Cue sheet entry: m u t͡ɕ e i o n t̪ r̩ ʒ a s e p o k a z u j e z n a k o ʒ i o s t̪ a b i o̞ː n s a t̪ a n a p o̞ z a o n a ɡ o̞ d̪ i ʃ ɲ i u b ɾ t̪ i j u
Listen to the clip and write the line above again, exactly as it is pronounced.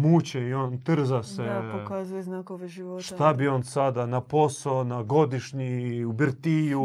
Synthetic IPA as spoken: m u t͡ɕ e i o n t̪ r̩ z a s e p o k a z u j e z n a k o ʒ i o ʃ t̪ a b i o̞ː n s a d̪ a n a p o̞ s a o n a ɡ o̞ d̪ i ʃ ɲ i u b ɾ t̪ i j u